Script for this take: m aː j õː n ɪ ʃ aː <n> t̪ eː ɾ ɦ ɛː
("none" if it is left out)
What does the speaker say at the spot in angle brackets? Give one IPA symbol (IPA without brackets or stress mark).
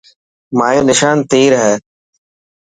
n